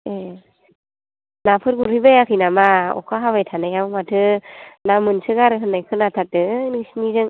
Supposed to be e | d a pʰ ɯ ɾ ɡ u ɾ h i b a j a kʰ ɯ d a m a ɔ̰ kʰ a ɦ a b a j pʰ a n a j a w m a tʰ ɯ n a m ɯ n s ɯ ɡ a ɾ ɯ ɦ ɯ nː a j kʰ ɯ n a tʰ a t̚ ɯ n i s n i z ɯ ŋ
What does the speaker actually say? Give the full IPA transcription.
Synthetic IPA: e | n a pʰ ɯ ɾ ɡ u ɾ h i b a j a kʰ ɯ n a m a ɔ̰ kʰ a ɦ a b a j tʰ a n a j a w m a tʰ ɯ n a m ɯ n s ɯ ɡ a ɾ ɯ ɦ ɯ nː a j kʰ ɯ n a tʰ a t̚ ɯ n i s n i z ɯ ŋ